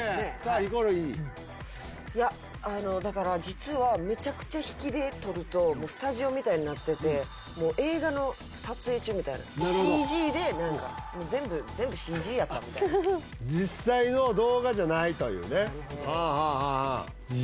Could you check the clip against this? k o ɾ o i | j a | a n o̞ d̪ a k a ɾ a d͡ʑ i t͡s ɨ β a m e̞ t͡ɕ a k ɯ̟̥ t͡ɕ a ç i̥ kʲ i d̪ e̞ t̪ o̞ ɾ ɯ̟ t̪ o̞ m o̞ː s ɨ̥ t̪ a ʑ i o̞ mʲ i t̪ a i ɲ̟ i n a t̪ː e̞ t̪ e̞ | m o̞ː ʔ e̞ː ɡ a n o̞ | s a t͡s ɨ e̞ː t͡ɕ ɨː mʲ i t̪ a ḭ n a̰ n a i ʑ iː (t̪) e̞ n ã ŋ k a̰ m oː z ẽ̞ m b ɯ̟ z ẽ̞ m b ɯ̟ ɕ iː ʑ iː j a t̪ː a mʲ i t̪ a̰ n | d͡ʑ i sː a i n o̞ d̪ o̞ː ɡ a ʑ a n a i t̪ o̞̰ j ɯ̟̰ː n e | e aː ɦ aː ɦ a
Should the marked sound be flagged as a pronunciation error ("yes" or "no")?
yes